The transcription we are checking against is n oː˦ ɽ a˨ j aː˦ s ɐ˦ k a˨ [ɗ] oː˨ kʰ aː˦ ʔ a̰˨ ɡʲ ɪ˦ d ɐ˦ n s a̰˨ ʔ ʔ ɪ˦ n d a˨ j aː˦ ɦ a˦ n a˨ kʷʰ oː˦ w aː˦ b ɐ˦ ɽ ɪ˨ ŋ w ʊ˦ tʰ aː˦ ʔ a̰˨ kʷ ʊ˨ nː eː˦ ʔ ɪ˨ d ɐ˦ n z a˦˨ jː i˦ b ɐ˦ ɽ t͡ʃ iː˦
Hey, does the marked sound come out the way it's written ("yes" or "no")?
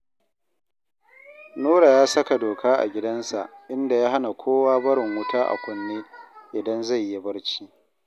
no